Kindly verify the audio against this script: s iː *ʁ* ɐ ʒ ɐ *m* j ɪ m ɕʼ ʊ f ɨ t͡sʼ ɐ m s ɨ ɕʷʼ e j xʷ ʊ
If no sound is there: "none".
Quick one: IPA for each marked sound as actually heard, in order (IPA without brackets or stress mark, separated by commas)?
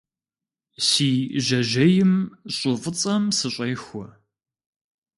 ʒ, none